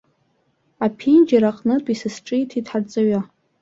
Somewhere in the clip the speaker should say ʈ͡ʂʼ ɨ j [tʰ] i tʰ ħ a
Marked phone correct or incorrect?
correct